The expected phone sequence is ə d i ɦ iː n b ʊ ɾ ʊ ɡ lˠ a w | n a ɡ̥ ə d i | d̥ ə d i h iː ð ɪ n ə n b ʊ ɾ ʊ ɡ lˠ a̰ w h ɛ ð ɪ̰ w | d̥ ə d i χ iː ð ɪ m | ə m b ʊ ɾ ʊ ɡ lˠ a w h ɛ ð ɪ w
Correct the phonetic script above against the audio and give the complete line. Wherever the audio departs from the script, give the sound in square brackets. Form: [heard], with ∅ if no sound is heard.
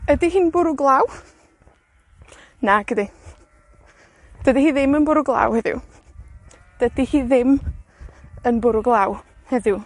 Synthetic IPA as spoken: ə d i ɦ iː n b ʊ ɾ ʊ ɡ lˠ a w | n a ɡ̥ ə d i | d̥ ə d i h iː ð ɪ [m] ə n b ʊ ɾ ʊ ɡ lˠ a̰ w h ɛ ð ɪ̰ w | d̥ ə d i [h] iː ð ɪ m | ə [n] b ʊ ɾ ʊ ɡ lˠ a w h ɛ ð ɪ w